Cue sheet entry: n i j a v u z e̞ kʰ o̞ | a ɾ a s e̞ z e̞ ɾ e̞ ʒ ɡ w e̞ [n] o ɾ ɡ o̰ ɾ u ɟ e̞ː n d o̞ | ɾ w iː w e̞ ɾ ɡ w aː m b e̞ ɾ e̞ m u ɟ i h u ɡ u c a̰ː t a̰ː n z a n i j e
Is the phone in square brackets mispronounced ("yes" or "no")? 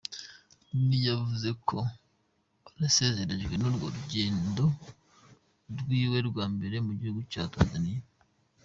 no